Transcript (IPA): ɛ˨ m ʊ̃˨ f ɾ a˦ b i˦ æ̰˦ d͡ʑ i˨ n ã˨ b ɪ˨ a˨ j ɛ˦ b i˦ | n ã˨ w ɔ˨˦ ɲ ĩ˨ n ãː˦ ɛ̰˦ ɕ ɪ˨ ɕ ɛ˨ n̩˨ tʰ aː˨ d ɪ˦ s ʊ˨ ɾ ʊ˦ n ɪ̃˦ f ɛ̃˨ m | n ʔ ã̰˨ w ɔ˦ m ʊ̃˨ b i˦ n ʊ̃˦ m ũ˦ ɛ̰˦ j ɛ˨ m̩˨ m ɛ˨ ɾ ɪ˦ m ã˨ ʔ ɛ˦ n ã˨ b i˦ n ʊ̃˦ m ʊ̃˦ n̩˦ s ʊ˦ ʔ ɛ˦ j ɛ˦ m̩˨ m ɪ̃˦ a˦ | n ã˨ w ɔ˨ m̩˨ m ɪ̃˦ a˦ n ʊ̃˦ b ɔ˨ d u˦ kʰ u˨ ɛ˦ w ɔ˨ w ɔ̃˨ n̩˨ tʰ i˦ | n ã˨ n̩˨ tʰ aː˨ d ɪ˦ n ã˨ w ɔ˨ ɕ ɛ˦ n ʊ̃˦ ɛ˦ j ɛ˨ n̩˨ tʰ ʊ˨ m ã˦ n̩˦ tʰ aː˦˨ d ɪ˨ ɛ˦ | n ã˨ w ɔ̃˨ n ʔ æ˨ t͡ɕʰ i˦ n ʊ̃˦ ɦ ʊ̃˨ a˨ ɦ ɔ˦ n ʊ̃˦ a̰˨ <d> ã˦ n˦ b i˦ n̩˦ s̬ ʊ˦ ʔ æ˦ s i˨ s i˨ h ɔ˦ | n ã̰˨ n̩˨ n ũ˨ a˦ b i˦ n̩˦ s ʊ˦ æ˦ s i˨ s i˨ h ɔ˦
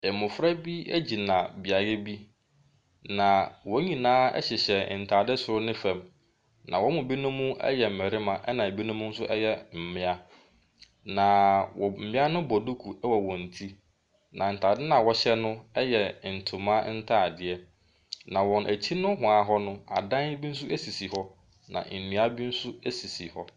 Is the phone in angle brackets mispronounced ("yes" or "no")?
no